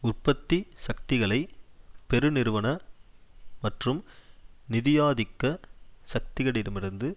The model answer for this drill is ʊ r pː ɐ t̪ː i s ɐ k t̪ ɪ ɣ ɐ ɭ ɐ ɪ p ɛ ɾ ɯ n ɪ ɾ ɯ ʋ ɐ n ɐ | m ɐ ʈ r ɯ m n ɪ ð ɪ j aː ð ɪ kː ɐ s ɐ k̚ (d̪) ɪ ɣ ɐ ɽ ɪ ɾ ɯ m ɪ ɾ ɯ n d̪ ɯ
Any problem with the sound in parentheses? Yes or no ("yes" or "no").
yes